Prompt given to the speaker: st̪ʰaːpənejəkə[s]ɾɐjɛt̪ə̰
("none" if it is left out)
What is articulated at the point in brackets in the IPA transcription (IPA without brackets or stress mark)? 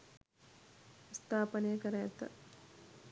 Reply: none